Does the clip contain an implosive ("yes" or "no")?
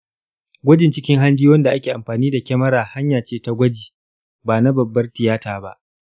no